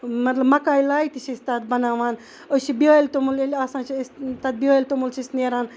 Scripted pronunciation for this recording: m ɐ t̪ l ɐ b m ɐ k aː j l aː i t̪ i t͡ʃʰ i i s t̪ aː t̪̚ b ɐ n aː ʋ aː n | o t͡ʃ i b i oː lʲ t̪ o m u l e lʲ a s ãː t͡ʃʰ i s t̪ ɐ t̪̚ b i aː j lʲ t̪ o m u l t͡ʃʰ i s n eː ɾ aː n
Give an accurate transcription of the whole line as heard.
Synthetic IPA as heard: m ɐ t̪ l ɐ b m ɐ k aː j l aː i t̪ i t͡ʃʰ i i s t̪ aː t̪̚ b ɐ n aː ʋ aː n | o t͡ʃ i b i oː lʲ t̪ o m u l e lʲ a s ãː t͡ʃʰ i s t̪ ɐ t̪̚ b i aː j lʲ t̪ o m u l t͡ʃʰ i s n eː ɾ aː n